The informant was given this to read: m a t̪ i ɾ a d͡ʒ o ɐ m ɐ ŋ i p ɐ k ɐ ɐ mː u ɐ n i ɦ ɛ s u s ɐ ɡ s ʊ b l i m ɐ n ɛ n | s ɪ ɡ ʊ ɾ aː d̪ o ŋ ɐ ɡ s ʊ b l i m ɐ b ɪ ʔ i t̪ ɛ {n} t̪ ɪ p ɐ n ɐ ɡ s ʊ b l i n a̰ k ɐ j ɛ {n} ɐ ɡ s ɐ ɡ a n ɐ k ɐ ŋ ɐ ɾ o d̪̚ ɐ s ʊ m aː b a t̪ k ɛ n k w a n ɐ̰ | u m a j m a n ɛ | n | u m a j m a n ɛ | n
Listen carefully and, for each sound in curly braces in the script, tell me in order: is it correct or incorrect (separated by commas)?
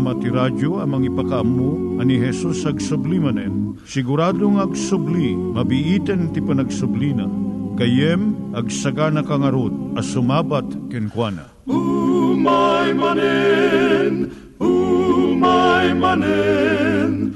correct, incorrect